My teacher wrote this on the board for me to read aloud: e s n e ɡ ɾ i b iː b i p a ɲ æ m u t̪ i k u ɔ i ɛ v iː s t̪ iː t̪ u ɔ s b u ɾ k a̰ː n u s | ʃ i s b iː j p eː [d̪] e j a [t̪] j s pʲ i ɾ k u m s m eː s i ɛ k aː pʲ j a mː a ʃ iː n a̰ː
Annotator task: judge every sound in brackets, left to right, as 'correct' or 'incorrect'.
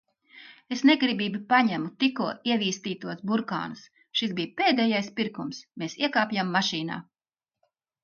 correct, incorrect: none

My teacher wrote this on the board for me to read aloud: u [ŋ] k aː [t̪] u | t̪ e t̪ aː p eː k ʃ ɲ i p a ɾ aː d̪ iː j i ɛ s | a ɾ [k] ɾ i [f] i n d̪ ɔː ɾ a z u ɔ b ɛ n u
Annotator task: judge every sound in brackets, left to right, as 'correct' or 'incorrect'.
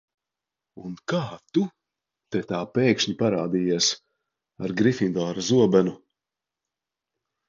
incorrect: n, correct, incorrect: ɡ, correct

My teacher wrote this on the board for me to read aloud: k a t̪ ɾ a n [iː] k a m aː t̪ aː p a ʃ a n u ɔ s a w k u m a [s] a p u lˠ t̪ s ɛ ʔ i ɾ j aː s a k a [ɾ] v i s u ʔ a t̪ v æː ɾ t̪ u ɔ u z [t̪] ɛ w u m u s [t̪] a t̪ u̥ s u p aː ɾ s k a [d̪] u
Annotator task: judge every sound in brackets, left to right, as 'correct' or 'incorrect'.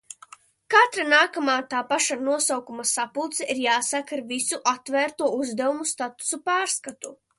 incorrect: aː, correct, correct, incorrect: d̪, correct, incorrect: t̪

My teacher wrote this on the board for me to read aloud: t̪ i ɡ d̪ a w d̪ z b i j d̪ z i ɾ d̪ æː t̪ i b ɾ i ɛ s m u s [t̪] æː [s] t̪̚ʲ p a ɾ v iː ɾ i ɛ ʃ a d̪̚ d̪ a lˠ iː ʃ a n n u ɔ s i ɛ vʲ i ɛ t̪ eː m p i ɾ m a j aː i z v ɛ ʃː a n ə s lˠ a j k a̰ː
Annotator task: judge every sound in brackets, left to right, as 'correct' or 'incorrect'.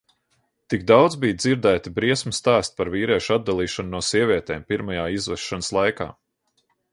correct, correct

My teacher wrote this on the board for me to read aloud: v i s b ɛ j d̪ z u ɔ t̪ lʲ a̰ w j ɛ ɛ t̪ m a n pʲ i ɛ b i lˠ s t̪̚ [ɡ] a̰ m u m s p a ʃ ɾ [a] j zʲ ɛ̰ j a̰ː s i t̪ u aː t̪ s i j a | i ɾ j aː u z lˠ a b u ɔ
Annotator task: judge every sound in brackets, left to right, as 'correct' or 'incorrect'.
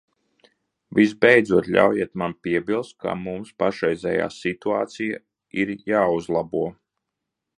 incorrect: k, incorrect: ɛ

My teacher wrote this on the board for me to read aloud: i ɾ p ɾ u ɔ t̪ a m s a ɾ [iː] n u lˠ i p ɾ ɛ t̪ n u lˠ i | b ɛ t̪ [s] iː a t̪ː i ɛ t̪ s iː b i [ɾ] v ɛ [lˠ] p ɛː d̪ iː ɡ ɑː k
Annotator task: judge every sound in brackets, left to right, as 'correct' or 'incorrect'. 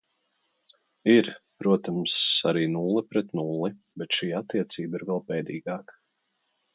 correct, incorrect: ʃ, correct, correct

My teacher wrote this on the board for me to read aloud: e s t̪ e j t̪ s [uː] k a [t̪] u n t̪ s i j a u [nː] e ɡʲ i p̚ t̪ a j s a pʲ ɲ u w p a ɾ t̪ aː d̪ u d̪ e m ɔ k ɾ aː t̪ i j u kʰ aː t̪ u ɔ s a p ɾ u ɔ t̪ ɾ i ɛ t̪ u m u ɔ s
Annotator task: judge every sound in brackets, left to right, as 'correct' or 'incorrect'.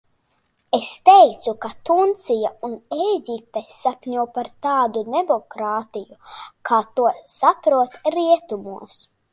incorrect: u, correct, incorrect: n

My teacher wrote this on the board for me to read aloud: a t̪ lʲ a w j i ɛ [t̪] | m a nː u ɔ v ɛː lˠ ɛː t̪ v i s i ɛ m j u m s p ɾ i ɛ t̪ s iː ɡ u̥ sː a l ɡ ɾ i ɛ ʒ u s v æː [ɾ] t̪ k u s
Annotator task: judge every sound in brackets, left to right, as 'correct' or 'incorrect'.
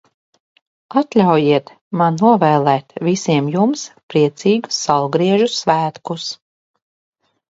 correct, incorrect: none

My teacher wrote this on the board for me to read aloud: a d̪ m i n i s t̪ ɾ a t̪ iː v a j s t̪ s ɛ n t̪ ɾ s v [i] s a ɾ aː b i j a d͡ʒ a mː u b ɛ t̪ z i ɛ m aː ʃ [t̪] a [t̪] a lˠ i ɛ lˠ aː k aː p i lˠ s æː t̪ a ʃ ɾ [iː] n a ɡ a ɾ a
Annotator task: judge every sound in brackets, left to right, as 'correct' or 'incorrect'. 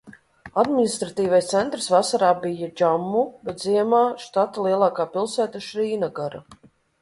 incorrect: a, correct, correct, correct

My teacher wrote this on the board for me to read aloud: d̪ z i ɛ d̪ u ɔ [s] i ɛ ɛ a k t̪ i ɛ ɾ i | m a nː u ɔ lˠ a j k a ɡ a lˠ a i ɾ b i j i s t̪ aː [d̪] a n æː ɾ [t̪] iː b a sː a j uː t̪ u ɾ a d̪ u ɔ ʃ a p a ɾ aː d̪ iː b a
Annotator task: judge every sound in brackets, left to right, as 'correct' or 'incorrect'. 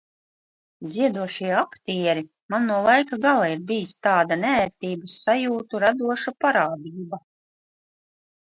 incorrect: ʃ, correct, correct

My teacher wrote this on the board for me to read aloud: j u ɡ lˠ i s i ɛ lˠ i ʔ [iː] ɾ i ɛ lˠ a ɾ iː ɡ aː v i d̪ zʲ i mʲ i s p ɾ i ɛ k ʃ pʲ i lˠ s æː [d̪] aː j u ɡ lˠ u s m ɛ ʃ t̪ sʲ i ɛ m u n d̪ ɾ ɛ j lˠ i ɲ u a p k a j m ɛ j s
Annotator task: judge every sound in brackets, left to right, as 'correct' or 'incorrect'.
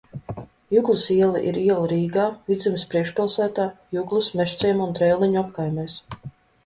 incorrect: i, incorrect: t̪

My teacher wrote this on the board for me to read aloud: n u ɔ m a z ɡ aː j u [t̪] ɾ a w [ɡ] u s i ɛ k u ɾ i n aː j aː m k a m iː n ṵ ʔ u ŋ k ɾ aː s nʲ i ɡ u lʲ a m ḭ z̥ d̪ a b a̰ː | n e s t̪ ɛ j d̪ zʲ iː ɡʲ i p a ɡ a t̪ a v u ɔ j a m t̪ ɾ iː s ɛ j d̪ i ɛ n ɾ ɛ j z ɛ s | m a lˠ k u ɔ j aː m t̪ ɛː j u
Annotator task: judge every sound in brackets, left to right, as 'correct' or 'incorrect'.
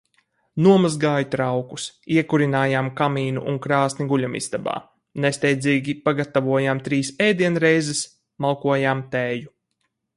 correct, incorrect: k

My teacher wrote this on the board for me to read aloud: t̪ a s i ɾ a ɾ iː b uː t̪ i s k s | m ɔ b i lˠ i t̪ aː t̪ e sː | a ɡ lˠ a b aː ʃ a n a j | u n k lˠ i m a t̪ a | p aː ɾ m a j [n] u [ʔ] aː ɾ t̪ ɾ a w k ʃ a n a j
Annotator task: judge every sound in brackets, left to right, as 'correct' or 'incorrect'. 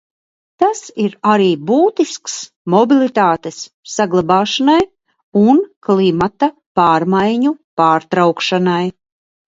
incorrect: ɲ, incorrect: p

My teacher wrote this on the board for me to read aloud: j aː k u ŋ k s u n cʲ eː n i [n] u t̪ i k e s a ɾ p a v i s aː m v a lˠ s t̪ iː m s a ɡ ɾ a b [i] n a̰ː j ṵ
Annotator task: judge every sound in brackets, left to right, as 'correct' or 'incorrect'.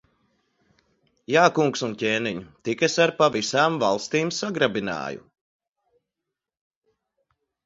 incorrect: ɲ, correct

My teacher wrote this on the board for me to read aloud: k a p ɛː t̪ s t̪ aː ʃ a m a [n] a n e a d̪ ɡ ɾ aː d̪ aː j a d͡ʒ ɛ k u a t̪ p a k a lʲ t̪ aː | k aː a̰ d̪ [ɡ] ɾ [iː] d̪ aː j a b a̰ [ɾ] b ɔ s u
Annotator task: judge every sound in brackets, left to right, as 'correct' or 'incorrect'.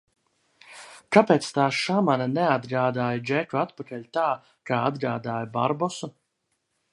correct, correct, incorrect: aː, correct

